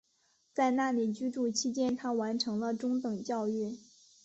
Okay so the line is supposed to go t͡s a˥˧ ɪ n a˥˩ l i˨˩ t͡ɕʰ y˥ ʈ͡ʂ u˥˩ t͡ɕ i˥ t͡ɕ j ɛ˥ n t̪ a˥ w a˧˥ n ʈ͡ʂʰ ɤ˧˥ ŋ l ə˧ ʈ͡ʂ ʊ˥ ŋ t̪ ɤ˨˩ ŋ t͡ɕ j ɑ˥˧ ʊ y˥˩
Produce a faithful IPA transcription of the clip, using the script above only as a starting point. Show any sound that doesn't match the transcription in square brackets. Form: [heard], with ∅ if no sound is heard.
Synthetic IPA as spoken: t͡s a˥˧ ɪ n a˥˩ l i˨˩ [t͡ɕ] y˥ ʈ͡ʂ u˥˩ [t͡ɕʰ] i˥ t͡ɕ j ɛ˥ n [t̪ʰ] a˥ w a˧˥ n ʈ͡ʂʰ ɤ˧˥ ŋ l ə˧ ʈ͡ʂ ʊ˥ ŋ t̪ ɤ˨˩ ŋ t͡ɕ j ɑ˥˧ ʊ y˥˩